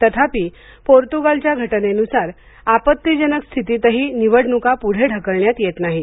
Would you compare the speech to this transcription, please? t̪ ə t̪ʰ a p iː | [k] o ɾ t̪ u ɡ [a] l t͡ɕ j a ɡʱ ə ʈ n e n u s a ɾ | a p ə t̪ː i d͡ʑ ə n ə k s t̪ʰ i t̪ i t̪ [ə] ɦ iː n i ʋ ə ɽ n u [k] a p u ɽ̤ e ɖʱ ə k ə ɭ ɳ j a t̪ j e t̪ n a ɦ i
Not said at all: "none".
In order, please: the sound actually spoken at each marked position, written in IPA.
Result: p, a, ə, k

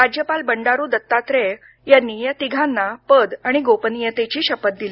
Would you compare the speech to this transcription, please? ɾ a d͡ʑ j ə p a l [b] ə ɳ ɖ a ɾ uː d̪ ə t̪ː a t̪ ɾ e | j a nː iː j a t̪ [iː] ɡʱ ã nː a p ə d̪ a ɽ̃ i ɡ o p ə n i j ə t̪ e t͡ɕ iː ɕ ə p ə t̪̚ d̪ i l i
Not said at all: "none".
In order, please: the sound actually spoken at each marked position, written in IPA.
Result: b, i

